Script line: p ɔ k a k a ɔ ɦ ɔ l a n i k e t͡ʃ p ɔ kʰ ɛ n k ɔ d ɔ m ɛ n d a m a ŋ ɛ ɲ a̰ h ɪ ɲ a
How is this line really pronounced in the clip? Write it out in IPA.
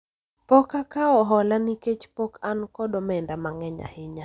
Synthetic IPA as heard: p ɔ k a k a ɔ ɦ ɔ l a n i k e t͡ʃ p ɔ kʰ a n k ɔ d ɔ m ɛ n d a m a ŋ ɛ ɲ a̰ h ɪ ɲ a